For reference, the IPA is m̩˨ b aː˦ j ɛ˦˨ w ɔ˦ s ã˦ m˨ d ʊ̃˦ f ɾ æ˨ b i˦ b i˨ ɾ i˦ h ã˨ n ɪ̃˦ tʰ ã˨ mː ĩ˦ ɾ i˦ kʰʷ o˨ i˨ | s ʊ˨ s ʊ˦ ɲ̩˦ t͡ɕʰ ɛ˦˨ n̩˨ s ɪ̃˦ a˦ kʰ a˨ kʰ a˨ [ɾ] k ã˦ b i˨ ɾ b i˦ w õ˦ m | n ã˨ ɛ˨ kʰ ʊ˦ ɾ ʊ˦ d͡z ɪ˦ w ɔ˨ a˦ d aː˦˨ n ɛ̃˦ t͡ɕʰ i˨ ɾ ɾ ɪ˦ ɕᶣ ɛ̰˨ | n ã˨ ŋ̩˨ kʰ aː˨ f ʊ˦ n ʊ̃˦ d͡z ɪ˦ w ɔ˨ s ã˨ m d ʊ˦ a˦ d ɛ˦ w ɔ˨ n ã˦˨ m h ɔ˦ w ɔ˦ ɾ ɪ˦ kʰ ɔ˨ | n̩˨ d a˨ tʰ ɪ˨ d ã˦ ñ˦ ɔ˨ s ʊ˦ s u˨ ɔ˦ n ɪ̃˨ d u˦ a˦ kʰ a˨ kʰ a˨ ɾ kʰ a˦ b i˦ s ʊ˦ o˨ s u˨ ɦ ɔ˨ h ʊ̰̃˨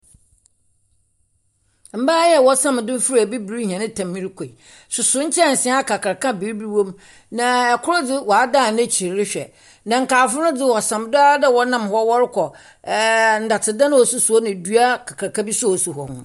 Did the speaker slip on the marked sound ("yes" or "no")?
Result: no